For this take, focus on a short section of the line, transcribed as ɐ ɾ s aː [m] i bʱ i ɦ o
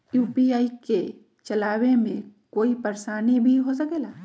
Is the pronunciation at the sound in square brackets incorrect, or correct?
incorrect